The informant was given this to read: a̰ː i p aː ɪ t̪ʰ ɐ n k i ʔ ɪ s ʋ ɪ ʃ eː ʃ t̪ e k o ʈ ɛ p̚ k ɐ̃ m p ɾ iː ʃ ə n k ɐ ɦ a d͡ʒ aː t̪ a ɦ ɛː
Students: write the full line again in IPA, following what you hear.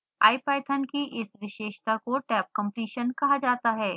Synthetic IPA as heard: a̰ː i p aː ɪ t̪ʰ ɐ n k i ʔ ɪ s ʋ ɪ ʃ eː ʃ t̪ a k o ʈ ɛː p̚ k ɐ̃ m p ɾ iː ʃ ə n k ɐ ɦ a d͡ʒ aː t̪ a ɦ ɛː